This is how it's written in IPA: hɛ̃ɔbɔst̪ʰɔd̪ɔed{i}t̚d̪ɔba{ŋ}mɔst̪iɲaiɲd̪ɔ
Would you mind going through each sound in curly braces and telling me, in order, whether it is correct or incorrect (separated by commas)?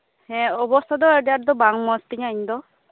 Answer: incorrect, correct